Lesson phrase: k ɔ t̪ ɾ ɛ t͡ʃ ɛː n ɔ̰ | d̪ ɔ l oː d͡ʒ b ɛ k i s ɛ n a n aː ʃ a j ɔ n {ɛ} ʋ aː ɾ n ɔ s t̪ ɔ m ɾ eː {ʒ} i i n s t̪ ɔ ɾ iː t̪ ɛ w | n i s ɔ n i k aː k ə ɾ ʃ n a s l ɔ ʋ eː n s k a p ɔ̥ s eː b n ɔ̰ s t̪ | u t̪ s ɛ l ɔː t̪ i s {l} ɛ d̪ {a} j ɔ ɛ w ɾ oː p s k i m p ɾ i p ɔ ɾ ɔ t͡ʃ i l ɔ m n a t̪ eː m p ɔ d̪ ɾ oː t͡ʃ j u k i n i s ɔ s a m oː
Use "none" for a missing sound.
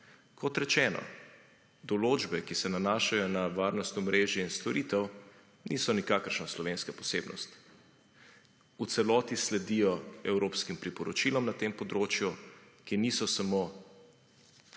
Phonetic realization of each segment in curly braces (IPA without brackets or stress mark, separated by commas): a, ʒ, l, i